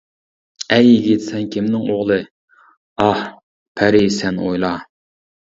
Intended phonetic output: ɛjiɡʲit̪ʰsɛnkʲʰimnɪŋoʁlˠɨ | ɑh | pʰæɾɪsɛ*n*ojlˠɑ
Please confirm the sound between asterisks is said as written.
yes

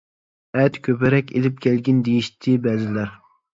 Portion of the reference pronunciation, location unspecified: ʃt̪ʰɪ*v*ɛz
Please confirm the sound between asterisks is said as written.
no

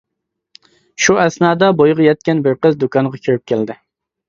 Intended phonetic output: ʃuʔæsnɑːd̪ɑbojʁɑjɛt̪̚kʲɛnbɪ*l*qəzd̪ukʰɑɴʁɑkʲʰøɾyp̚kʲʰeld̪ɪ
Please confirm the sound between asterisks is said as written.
no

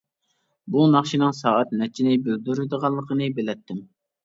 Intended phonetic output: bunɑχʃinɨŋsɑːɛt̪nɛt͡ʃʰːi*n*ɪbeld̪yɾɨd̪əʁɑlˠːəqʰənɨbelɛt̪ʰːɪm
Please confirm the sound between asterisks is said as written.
yes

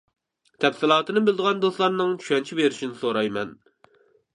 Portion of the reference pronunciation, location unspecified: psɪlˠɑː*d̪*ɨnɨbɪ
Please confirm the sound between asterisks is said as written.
no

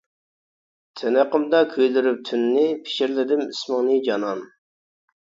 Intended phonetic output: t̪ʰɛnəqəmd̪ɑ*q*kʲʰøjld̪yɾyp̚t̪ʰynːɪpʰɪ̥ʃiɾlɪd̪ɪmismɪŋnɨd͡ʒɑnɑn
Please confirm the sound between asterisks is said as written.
no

